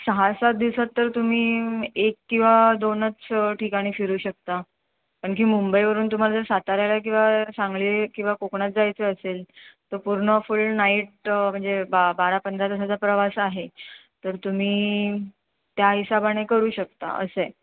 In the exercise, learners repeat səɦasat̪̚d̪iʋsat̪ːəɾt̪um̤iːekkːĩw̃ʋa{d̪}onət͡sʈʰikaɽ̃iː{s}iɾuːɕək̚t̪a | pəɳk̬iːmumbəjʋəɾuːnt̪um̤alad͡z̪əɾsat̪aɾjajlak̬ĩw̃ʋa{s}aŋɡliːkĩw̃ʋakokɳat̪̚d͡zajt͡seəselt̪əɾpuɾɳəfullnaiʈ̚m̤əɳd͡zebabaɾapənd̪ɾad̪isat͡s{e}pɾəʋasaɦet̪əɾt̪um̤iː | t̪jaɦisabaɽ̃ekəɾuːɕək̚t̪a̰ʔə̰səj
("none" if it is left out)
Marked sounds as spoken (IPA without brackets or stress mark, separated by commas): d̪, f, s, a